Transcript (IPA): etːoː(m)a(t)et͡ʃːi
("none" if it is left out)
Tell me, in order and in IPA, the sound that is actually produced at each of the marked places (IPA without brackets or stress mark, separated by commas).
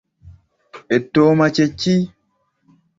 m, t͡ʃ